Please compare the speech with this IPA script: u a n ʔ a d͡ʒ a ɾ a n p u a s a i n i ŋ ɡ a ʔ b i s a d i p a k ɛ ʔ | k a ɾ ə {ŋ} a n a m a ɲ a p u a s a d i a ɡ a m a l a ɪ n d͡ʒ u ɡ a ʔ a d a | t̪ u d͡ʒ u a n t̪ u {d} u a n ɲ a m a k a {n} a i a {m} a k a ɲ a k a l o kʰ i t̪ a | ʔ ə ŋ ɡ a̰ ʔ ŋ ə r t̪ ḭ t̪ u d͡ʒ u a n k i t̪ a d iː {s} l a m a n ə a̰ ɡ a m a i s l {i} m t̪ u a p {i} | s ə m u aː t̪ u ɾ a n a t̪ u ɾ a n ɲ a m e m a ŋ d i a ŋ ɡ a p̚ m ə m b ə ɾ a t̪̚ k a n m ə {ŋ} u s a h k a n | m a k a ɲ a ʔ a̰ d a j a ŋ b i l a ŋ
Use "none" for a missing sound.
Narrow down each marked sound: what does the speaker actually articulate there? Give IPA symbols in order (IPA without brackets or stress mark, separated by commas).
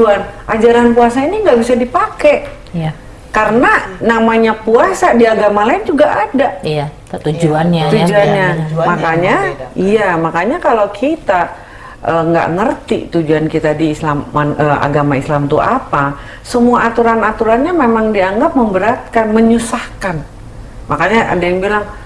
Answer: n, d͡ʒ, ɲ, m, s, a, a, ɲ